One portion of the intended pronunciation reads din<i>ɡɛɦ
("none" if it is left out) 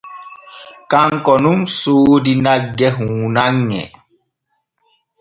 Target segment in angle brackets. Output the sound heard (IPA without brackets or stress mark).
a